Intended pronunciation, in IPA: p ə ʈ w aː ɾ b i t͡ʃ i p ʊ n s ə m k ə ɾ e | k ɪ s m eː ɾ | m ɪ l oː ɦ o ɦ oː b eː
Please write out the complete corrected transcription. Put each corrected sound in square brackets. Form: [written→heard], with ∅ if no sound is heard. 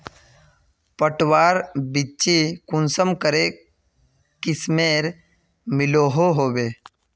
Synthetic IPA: p ə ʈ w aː ɾ b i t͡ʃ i [p→k] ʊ n s ə m k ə ɾ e | k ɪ s m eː ɾ | m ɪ l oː ɦ o ɦ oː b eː